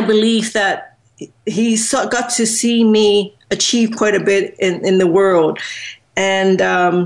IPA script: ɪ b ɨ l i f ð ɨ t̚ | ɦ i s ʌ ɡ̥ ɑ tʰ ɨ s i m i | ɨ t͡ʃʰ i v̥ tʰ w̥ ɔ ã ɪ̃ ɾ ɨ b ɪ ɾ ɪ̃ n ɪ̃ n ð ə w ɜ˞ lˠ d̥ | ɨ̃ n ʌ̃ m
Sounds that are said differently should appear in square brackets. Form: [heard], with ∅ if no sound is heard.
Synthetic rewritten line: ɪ b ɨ l i f ð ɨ t̚ | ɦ i s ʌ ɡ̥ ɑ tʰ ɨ s i m i | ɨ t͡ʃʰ i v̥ [kʰ] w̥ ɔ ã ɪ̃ ɾ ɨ b ɪ ɾ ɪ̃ n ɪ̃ n ð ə w ɜ˞ lˠ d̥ | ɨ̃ n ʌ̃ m